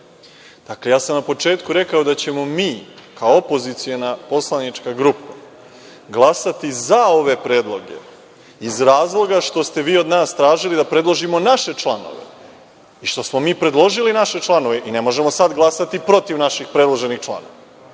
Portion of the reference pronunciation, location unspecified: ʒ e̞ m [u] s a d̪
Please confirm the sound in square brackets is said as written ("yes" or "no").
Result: no